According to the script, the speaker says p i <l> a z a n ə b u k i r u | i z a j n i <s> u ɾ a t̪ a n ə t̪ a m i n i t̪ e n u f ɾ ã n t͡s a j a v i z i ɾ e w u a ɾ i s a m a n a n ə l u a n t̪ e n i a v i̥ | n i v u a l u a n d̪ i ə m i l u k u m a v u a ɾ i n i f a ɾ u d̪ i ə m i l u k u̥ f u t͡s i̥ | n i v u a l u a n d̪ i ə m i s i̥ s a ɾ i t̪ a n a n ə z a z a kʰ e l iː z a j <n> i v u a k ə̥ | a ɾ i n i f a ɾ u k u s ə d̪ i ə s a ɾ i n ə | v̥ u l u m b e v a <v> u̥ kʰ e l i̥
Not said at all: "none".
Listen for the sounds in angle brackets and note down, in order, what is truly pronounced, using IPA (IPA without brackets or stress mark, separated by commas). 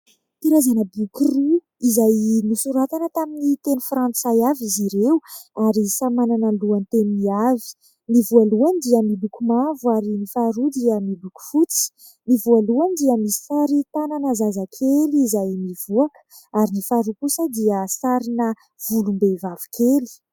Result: ɾ, s, m, v